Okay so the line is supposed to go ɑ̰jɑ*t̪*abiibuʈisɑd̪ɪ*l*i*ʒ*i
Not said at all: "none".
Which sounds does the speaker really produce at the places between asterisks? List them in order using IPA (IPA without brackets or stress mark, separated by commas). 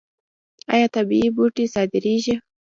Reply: t̪, ɾ, ʒ